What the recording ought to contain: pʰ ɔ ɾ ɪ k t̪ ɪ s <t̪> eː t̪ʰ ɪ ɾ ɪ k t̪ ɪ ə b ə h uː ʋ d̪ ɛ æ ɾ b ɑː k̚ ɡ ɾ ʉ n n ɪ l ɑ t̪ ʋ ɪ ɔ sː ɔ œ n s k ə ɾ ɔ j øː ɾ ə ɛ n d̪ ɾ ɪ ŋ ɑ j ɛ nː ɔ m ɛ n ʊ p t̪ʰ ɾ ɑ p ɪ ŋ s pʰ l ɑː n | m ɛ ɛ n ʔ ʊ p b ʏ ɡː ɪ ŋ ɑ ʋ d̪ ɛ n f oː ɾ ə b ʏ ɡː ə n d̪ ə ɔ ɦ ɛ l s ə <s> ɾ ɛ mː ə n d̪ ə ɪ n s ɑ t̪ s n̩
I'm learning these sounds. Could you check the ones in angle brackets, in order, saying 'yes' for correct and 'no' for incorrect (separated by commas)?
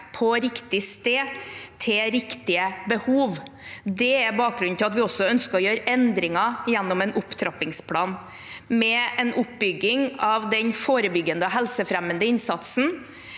yes, no